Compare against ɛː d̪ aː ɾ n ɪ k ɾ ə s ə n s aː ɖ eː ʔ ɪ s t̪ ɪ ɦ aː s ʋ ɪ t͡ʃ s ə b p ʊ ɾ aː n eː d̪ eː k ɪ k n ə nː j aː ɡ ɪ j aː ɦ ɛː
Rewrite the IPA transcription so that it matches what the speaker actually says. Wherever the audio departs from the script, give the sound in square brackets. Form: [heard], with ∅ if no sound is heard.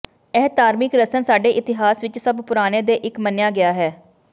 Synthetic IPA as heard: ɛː [t̪] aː ɾ [m] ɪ k ɾ ə s ə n s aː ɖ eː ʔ ɪ [∅] t̪ ɪ ɦ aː s ʋ ɪ t͡ʃ s ə b p ʊ ɾ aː n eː d̪ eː [ʔ] ɪ k [m] ə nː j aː ɡ ɪ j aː ɦ ɛː